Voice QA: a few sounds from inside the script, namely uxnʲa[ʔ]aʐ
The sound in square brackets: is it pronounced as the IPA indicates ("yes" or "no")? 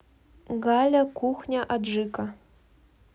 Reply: yes